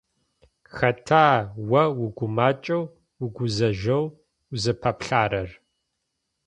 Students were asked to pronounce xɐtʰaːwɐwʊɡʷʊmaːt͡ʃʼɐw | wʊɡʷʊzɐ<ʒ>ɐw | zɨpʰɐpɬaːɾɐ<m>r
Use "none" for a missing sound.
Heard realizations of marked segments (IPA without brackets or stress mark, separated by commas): ʒ, none